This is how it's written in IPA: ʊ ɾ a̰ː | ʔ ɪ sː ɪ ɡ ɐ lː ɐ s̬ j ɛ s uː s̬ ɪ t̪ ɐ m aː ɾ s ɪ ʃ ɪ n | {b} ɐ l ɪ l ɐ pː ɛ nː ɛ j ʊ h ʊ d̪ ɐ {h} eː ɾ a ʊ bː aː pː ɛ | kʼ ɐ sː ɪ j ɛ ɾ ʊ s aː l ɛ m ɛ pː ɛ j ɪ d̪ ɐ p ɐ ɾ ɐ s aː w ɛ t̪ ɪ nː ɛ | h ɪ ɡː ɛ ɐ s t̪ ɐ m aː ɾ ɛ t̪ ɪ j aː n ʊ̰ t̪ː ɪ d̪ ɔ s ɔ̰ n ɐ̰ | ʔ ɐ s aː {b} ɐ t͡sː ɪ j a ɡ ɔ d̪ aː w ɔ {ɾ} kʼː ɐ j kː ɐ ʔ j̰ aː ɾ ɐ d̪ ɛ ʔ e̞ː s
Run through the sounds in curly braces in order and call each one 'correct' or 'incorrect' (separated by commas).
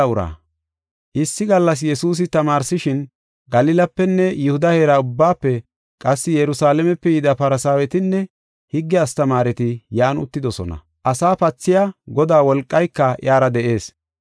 incorrect, correct, incorrect, incorrect